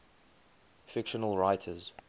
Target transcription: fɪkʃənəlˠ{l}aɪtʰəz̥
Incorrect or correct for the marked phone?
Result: incorrect: ɹ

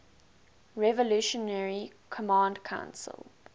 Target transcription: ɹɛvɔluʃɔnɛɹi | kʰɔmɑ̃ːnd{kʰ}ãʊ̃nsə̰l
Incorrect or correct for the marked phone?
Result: correct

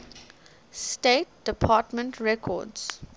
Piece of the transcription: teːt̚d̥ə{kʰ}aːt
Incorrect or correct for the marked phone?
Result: incorrect: pʰ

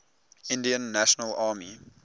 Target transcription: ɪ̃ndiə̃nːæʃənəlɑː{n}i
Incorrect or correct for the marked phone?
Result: incorrect: m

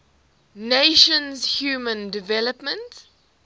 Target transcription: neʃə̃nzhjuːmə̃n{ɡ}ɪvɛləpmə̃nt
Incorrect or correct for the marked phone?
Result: incorrect: d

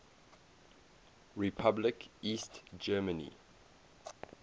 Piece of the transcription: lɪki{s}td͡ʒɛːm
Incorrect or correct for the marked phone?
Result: correct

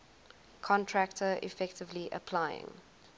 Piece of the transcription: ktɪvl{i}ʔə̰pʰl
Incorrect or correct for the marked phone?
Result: correct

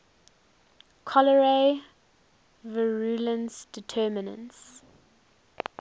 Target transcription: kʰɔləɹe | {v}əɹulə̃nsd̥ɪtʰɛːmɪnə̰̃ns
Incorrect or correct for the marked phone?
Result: correct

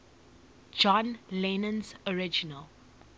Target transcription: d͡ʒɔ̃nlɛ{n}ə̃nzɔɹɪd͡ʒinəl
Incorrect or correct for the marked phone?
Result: correct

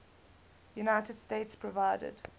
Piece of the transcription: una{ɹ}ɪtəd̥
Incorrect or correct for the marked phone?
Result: incorrect: none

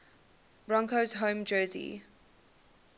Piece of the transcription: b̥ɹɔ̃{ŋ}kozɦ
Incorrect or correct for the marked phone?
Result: correct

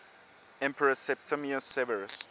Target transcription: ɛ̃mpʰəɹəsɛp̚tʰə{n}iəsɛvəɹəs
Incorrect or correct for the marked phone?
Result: incorrect: m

